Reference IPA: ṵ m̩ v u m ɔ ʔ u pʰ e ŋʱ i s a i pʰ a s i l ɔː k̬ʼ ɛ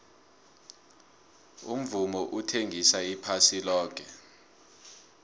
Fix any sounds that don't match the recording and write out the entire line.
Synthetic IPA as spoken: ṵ m̩ v u m ɔ ʔ u tʰ e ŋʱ i s a i pʰ a s i l ɔː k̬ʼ ɛ